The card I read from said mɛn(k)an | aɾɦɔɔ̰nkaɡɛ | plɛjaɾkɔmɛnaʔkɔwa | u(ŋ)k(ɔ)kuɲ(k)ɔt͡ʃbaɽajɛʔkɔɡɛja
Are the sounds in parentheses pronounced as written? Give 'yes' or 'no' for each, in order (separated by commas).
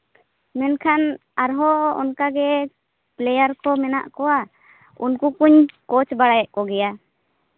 no, no, no, yes